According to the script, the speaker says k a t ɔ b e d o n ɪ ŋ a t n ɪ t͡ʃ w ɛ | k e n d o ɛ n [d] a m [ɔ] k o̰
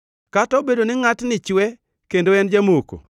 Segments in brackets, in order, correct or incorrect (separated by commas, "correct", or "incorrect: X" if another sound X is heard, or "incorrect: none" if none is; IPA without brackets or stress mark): incorrect: d͡ʒ, incorrect: o